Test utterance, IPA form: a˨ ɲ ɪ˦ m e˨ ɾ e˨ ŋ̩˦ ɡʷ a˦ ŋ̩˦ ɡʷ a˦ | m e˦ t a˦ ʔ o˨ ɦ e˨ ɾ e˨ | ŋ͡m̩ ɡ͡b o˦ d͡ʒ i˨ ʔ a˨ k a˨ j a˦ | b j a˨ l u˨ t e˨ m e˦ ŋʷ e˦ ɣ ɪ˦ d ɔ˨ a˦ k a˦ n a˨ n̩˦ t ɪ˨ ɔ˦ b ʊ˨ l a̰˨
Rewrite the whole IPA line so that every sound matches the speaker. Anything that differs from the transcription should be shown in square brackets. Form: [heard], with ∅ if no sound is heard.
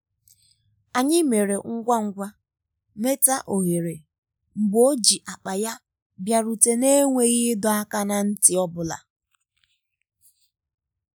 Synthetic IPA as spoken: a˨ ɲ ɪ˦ m e˨ ɾ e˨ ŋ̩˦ ɡʷ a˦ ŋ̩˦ ɡʷ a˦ | m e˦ t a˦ ʔ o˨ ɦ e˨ ɾ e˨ | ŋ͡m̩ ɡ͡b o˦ d͡ʒ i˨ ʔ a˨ [k͡p] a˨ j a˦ | b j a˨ [ɾ] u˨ t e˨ [n] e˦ ŋʷ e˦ ɣ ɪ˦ d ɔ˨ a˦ k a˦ n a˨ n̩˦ t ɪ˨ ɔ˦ b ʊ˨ l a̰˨